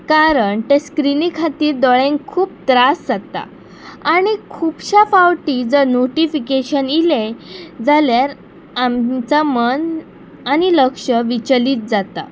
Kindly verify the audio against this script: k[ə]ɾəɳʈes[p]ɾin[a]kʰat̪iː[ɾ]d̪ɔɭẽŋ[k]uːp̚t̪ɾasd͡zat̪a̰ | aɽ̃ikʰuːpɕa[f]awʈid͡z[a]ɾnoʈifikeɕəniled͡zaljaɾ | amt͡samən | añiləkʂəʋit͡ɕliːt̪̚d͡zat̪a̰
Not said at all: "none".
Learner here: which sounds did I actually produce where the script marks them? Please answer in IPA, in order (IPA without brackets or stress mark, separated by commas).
a, k, i, ɾ, kʰ, f, ə